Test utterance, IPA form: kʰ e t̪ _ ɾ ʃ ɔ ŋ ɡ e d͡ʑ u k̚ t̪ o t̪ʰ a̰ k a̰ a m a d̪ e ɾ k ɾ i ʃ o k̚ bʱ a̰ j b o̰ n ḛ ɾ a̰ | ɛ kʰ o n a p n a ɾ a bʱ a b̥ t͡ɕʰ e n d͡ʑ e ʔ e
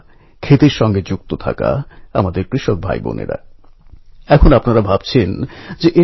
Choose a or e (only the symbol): e